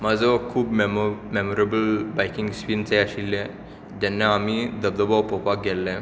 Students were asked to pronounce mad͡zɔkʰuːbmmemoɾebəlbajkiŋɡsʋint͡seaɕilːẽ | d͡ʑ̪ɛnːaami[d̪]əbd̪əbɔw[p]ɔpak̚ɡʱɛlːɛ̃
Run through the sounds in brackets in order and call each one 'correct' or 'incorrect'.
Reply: correct, correct

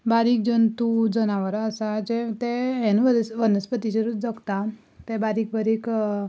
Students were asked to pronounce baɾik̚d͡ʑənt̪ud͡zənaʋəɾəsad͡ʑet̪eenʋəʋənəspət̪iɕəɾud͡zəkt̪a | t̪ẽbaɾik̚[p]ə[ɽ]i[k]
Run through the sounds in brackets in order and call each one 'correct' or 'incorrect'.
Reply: incorrect: b, incorrect: ɾ, correct

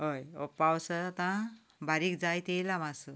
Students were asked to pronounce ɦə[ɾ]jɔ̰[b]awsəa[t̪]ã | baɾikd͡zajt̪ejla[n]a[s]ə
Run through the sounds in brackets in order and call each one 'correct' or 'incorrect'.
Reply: incorrect: none, incorrect: p, correct, incorrect: m, correct

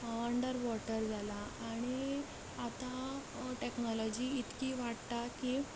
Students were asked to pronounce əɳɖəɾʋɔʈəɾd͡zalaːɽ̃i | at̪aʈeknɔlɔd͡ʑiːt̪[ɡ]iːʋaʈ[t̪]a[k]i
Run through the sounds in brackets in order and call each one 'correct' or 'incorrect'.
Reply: incorrect: k, correct, correct

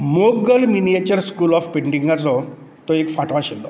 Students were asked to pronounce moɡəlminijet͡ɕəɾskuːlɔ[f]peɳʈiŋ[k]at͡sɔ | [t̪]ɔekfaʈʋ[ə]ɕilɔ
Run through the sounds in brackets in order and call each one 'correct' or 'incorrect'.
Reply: correct, incorrect: ɡ, correct, incorrect: a

